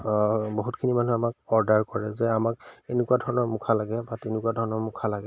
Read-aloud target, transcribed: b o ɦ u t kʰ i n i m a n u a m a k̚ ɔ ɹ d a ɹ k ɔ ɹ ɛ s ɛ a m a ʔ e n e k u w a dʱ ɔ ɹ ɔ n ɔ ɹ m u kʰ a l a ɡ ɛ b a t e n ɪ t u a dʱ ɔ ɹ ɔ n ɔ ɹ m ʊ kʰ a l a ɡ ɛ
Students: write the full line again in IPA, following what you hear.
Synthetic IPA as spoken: b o ɦ u t kʰ i n i m a n u a m a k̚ ɔ ɹ d a ɹ k ɔ ɹ ɛ z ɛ a m a k e n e k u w a dʱ ɔ ɹ ɔ n ɔ ɹ m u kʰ a l a ɡ ɛ b a t e n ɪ k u a dʱ ɔ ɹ ɔ n ɔ ɹ m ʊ kʰ a l a ɡ ɛ